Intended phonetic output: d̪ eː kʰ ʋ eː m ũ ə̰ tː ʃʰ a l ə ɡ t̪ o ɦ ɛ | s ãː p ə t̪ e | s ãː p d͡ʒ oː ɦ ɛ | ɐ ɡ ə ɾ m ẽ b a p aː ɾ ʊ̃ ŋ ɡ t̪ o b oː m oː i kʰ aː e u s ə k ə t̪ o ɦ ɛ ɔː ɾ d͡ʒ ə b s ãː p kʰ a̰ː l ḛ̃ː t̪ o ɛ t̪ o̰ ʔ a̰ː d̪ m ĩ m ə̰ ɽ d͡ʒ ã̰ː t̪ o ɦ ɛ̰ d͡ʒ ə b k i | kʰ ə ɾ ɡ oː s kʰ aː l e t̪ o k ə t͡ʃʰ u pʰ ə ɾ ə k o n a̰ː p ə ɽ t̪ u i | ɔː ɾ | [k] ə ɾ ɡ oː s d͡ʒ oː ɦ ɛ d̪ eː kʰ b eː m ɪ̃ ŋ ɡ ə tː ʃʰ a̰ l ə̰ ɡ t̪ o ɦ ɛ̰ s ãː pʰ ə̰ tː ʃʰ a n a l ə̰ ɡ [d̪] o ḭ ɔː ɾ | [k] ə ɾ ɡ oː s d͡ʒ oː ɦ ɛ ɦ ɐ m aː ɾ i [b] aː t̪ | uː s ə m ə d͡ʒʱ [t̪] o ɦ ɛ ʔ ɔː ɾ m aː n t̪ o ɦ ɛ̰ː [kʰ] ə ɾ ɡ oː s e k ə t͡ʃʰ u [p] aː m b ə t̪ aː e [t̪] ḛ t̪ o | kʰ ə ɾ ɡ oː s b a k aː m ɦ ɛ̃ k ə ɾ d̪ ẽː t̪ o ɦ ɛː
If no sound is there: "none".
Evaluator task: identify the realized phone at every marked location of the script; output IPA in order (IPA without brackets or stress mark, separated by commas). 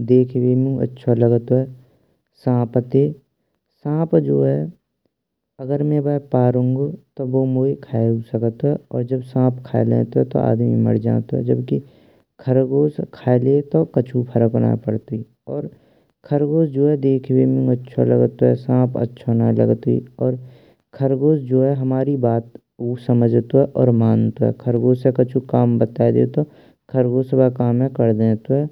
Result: kʰ, t̪, kʰ, b, t̪, kʰ, k, d̪